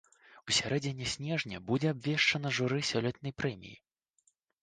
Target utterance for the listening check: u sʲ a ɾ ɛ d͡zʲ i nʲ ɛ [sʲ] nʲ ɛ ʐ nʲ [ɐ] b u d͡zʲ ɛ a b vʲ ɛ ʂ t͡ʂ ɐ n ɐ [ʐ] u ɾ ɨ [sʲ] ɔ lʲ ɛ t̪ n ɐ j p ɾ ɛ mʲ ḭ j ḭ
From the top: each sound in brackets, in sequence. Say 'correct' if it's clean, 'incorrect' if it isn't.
correct, correct, correct, correct

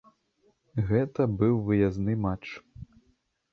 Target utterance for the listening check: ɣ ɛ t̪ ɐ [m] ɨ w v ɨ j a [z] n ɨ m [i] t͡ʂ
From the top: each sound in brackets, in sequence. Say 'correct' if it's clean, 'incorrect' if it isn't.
incorrect: b, correct, incorrect: a

